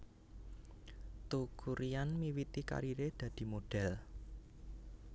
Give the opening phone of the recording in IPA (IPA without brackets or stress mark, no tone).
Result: t̪